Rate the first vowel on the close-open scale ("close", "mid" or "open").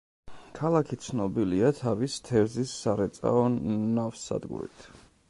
open